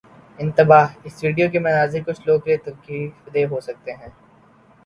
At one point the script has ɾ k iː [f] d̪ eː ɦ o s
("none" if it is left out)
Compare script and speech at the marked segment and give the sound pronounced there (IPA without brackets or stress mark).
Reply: f